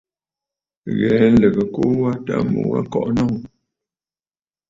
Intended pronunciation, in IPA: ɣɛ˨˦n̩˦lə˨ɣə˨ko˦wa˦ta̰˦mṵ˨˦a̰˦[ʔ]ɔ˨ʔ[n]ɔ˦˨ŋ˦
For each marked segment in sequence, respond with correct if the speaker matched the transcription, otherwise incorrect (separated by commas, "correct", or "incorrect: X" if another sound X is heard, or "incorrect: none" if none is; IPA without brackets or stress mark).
incorrect: k, correct